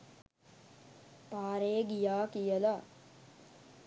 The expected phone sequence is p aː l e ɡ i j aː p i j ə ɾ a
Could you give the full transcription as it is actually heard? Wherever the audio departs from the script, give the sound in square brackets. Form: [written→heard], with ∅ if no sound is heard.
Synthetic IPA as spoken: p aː [l→ɾ] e ɡ i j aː [p→k] i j ə [ɾ→l] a